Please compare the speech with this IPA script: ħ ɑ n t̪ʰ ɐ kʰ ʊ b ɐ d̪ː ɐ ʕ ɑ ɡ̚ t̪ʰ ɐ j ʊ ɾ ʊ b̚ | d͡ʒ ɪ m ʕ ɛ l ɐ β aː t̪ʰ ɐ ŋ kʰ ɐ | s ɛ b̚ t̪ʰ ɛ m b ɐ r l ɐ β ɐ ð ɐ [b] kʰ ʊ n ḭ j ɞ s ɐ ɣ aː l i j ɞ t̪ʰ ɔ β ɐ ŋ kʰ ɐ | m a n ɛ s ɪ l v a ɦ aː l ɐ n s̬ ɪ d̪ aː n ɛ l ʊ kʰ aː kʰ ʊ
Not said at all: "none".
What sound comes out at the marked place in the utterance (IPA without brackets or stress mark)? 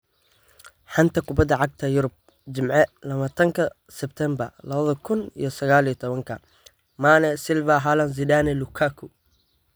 none